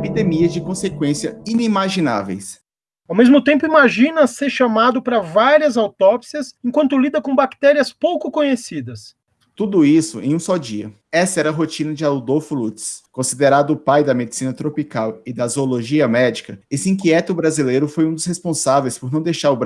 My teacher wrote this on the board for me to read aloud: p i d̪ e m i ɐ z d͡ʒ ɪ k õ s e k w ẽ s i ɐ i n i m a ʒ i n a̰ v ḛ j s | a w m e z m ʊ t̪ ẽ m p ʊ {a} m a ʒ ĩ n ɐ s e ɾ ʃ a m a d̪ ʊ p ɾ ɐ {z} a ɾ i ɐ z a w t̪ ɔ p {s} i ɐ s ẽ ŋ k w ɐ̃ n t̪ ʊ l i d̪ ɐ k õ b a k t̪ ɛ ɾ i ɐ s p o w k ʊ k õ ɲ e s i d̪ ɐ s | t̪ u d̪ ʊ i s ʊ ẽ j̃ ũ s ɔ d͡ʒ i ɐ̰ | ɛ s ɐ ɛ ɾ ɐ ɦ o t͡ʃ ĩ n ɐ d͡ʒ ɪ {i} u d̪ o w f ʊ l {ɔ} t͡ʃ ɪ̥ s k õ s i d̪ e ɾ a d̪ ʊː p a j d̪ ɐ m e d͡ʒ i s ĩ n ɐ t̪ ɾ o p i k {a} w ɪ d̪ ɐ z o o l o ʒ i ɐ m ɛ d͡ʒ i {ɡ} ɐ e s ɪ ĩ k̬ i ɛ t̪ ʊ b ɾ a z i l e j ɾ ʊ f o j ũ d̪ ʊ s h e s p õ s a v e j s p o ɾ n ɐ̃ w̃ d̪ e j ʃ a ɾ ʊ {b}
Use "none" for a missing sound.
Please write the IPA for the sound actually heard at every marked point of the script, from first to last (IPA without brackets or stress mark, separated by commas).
i, v, s, a, u, a, k, b